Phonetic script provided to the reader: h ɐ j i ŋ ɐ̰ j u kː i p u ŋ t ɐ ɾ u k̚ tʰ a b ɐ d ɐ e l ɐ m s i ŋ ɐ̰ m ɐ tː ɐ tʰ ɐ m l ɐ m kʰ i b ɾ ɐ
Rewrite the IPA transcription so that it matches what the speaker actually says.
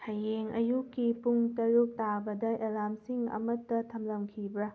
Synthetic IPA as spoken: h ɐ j e ŋ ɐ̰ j u kː i p u ŋ t ɐ ɾ u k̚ t a b ɐ d ɐ e l a m s i ŋ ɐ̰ m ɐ tː ɐ tʰ ɐ m l ɐ m kʰ i b ɾ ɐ